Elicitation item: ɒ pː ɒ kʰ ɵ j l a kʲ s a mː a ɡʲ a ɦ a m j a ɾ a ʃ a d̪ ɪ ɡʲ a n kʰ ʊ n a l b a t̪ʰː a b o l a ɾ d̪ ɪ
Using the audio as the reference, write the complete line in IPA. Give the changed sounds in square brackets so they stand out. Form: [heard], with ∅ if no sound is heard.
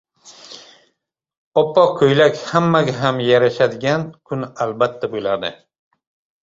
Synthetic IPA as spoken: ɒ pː ɒ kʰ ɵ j l a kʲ [h] a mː a ɡʲ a ɦ a m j a ɾ a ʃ a d̪ ɪ ɡʲ a n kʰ ʊ n a l b a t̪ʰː a b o l a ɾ d̪ ɪ